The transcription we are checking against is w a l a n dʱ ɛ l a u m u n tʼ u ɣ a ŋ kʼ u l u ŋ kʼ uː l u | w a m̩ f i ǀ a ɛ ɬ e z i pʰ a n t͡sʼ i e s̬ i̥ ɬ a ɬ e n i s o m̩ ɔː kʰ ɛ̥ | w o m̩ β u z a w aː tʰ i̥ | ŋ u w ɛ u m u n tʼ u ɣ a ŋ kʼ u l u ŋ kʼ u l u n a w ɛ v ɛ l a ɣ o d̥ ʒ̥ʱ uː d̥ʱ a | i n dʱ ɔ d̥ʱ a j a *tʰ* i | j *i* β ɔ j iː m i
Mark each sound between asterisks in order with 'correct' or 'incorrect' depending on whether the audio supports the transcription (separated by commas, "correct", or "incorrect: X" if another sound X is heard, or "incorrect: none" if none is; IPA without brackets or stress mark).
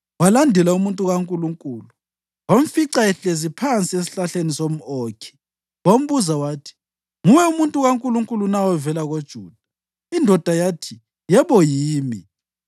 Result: correct, incorrect: ɛ